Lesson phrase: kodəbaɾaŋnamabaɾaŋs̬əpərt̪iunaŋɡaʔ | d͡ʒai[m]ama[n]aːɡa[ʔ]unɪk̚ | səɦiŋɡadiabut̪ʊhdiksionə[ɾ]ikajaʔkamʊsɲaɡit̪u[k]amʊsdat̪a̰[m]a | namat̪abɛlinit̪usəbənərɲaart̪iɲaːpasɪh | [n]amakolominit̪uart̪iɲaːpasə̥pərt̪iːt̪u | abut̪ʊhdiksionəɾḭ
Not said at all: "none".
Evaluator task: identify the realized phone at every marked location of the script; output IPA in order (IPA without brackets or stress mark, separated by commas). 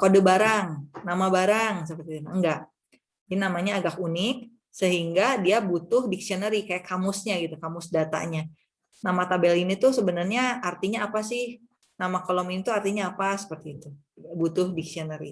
n, ɲ, k, ɾ, k, ɲ, n